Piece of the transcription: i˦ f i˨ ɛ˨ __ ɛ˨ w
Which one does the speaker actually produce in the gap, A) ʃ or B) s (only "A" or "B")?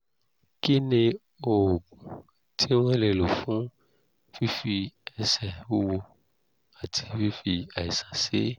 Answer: B